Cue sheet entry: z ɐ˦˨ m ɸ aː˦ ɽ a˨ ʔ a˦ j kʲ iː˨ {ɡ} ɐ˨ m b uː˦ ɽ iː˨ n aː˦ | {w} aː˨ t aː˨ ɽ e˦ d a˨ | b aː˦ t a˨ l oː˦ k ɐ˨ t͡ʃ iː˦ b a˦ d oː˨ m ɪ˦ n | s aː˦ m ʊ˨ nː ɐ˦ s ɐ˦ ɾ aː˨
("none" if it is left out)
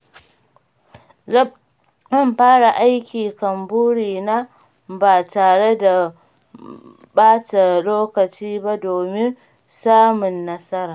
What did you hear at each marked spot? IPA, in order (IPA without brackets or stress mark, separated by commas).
k, b